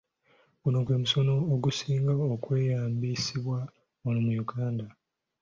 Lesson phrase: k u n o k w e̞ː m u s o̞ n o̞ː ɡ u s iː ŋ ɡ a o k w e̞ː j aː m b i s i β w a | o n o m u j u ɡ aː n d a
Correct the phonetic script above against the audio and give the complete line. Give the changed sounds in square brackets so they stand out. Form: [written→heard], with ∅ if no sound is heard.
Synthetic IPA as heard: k u n o k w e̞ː m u s o̞ n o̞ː ɡ u s iː ŋ ɡ a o k w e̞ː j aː m b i s i β w a | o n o m u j u ɡ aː n d a